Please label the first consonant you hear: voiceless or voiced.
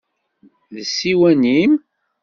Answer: voiced